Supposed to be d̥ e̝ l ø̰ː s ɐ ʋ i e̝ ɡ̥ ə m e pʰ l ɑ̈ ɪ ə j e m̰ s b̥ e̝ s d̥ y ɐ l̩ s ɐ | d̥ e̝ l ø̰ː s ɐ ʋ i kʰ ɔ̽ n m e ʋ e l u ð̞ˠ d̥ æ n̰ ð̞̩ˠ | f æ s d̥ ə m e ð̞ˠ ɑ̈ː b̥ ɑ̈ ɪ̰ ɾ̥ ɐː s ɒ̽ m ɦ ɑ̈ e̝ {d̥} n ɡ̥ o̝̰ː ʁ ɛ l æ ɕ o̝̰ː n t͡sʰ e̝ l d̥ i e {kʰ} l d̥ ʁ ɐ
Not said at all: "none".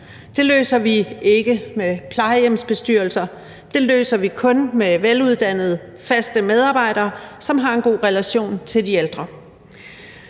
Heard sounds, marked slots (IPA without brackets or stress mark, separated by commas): none, none